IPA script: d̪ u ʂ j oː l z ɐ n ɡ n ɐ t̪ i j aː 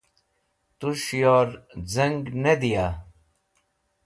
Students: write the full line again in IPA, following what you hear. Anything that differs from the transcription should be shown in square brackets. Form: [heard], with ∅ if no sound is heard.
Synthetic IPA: [t̪] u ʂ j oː [ɾ] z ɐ [ŋ] ɡ n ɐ [d̪] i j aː